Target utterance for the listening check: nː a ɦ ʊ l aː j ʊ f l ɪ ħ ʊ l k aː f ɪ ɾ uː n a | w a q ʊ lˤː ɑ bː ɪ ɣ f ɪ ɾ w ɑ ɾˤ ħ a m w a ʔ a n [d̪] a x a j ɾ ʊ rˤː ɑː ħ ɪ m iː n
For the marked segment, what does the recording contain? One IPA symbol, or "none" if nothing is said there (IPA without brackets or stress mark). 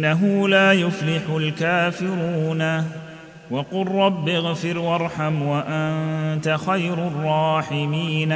t̪